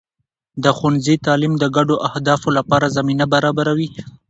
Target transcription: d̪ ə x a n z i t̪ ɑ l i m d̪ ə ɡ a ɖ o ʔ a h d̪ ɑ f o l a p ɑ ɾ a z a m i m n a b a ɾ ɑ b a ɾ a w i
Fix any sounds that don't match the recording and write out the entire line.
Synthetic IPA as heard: d̪ ə x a n z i t̪ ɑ l i m d̪ ə ɡ a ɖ o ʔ a h d̪ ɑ f o l a p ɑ ɾ a z a m i n a b a ɾ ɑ b a ɾ a w i